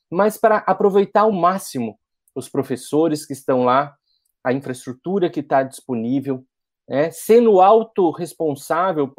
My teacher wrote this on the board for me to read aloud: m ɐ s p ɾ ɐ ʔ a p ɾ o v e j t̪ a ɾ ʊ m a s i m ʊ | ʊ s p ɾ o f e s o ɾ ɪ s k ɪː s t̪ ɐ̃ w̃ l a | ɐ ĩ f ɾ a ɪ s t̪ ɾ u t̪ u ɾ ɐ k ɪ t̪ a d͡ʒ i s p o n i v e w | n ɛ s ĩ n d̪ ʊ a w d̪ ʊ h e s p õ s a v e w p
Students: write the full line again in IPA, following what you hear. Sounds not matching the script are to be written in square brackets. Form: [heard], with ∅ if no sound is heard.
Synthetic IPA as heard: m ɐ s p ɾ ɐ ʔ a p ɾ o v e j t̪ a ɾ ʊ m a s i m ʊ | ʊ s p ɾ o f e s o ɾ ɪ s k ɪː s t̪ ɐ̃ w̃ l a | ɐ ĩ f ɾ [ɐ] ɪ s t̪ ɾ u t̪ u ɾ ɐ k ɪ t̪ a d͡ʒ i s p o n i v e w | n ɛ s [ẽ] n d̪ ʊ a w [t̪] ʊ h e s p õ s a v e w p